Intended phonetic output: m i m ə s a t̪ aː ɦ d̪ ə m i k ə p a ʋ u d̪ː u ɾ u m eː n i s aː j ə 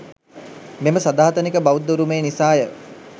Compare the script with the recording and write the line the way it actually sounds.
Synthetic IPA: m e m ə s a d̪ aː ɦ t̪ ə n i k ə b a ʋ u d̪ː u ɾ u m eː n i s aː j ə